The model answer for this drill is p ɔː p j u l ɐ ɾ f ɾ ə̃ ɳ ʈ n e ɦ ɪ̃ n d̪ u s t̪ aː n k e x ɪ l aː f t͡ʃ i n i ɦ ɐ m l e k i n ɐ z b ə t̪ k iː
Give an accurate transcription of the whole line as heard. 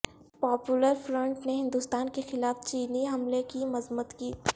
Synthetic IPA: p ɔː p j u l ə ɾ f ɾ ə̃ ɳ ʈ n e ɦ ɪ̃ n d̪ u s t̪ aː n k e x ɪ l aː f t͡ʃ iː n i ɦ ɐ m l e k i m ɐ z m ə t̪ k iː